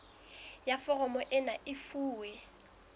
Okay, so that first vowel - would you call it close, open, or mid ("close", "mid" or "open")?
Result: open